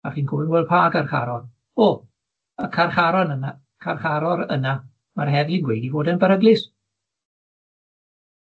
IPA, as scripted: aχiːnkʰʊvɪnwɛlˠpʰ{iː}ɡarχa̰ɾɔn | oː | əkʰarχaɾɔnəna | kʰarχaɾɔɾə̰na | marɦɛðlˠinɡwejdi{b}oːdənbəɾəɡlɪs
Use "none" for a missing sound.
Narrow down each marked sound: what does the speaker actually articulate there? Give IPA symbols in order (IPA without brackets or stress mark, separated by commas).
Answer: aː, v